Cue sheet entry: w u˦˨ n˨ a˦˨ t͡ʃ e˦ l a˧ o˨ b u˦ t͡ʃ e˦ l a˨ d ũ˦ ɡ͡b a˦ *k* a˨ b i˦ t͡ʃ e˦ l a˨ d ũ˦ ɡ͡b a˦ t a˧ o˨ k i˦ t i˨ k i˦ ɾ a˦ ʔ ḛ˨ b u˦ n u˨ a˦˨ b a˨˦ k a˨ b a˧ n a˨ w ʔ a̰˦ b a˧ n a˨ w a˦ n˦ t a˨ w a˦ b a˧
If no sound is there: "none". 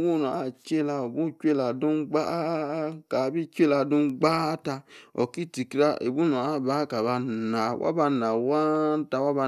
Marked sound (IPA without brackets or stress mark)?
k